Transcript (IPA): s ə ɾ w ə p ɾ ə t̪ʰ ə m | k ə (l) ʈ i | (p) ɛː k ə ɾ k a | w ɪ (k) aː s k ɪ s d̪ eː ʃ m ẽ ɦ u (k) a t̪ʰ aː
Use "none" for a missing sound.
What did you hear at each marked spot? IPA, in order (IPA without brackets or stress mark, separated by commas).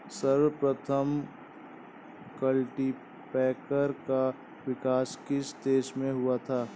l, p, k, none